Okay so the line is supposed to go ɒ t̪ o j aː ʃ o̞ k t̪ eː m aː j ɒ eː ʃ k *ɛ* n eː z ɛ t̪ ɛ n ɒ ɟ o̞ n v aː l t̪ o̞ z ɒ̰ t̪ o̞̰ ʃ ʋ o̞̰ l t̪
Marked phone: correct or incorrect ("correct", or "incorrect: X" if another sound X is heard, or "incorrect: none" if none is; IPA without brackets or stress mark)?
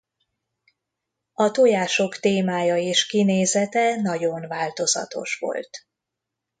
incorrect: i